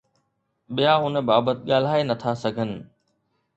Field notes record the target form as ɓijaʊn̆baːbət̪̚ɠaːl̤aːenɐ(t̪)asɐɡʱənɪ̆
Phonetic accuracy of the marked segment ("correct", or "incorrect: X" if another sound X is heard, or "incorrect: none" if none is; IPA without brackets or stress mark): incorrect: t̪ʰ